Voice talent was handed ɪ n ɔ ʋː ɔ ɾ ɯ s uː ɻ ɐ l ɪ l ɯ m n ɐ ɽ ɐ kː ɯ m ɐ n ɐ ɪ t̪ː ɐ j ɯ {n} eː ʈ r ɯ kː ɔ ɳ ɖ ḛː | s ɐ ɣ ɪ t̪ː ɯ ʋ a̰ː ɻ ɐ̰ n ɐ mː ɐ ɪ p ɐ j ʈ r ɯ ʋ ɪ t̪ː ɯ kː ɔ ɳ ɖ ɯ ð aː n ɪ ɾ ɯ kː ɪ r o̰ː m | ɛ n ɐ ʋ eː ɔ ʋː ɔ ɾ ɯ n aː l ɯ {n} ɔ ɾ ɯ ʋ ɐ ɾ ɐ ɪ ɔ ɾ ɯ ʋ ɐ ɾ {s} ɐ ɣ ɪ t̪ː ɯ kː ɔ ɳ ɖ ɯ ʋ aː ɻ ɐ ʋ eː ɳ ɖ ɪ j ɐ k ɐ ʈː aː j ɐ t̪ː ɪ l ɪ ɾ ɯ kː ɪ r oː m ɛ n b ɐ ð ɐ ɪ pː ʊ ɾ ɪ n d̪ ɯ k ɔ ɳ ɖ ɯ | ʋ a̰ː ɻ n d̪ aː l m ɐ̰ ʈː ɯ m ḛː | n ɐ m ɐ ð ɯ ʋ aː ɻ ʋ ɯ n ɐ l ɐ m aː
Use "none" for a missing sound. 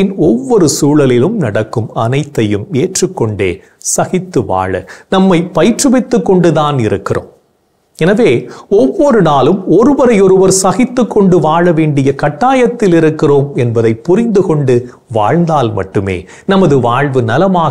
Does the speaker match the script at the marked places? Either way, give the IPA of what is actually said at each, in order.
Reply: m, m, s

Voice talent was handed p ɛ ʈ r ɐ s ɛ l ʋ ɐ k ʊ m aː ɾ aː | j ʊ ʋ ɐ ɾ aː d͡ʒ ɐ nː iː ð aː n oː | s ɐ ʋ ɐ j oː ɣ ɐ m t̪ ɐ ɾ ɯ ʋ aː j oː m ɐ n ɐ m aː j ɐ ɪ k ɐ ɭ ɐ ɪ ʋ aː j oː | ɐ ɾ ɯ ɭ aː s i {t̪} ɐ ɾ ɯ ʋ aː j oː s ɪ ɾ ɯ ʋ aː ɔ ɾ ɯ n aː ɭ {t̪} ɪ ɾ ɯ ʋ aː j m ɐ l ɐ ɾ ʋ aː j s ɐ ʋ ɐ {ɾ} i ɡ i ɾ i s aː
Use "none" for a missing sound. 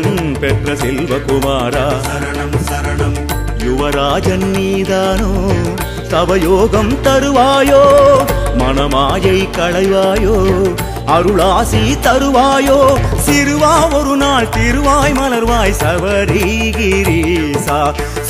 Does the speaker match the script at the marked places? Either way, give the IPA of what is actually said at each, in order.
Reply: t̪, t̪, ɾ

